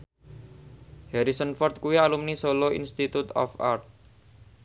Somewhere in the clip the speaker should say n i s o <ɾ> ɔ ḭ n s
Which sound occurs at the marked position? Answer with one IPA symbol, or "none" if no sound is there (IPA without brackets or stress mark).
l